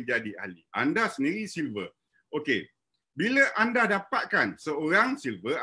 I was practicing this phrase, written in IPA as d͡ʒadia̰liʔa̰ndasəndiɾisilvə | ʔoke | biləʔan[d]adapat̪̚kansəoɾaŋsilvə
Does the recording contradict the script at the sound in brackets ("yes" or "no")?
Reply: no